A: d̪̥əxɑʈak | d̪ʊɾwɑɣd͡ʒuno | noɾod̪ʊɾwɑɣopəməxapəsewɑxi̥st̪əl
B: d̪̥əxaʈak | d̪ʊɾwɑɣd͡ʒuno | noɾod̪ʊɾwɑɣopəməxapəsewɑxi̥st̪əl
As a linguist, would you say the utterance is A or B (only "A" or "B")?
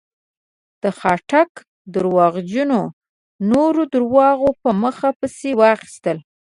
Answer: A